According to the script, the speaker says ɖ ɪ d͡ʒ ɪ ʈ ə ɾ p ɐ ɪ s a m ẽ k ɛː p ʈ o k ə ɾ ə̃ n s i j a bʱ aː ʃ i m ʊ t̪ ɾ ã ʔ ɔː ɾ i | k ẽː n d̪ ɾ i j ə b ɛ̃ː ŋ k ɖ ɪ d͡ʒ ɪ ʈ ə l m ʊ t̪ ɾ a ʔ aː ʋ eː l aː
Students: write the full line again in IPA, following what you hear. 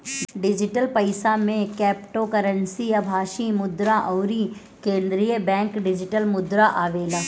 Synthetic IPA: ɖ ɪ d͡ʒ ɪ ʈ ə l p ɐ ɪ s a m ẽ k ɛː p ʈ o k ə ɾ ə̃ n s i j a bʱ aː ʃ i m ʊ d̪ ɾ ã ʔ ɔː ɾ i | k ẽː n d̪ ɾ i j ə b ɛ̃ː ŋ k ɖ ɪ d͡ʒ ɪ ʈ ə l m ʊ d̪ ɾ a ʔ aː ʋ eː l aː